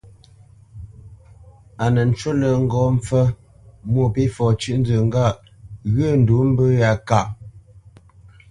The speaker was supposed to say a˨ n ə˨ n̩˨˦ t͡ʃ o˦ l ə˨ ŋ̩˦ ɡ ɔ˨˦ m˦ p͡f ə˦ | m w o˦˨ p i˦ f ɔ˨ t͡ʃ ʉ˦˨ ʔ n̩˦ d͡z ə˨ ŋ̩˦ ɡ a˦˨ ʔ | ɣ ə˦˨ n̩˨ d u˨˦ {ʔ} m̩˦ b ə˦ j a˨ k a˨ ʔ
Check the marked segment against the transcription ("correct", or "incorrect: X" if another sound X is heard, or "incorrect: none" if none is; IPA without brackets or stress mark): incorrect: none